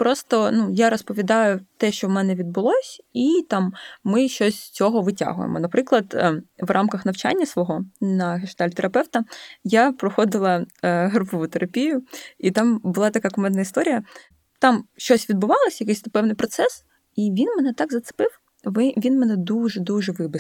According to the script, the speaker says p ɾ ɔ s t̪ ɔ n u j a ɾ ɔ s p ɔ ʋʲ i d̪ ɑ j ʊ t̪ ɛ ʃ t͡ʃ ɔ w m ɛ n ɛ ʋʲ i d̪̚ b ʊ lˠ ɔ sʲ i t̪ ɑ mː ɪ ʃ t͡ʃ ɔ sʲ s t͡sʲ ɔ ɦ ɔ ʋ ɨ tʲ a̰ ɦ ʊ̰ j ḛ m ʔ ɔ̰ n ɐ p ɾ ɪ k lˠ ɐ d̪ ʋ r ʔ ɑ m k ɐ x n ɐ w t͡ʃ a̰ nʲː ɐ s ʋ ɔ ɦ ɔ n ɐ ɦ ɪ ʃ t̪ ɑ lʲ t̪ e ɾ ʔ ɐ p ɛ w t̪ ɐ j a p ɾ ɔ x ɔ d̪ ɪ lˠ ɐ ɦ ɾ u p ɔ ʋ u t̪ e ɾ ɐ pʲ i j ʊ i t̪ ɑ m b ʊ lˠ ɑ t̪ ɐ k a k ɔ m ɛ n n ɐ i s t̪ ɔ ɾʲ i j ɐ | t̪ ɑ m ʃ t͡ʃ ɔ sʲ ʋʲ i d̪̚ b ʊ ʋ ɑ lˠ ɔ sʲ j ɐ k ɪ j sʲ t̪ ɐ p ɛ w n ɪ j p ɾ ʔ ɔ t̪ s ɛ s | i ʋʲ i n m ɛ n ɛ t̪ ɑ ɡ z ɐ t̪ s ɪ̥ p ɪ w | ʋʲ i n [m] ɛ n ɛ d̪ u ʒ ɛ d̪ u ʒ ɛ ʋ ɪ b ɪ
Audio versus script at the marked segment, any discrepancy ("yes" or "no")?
no